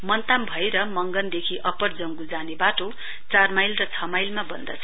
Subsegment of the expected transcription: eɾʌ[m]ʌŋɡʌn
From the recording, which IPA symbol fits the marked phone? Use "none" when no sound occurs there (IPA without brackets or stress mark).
m